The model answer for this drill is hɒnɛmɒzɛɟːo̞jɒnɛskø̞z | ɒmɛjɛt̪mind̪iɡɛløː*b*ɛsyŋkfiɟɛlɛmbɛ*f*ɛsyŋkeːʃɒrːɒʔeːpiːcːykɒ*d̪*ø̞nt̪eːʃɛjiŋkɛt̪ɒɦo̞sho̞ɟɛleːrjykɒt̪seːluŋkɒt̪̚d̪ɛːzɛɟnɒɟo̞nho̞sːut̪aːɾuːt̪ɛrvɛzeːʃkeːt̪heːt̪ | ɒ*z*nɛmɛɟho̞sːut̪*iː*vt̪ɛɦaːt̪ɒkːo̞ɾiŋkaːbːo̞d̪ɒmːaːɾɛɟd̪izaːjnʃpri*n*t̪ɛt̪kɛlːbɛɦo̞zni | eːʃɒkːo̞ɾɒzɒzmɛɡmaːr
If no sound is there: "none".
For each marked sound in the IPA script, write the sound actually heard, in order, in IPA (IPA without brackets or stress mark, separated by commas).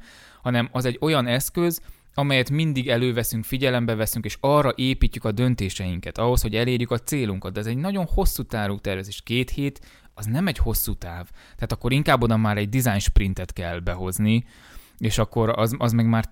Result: v, v, d̪, z, aː, n